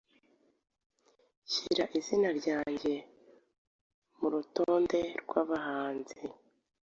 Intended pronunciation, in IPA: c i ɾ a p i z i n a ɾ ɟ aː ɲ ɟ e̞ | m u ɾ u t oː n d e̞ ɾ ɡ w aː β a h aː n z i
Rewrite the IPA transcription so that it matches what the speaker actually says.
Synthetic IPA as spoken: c i ɾ a ʔ i z i n a ɾ ɟ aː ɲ ɟ e̞ | m u ɾ u t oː n d e̞ ɾ ɡ w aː β a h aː n z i